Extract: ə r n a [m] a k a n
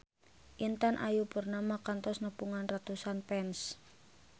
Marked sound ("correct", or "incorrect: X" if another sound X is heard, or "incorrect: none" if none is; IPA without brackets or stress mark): correct